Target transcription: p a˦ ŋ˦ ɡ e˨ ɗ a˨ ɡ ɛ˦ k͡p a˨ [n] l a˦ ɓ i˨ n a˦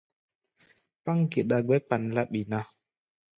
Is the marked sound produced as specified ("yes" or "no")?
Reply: yes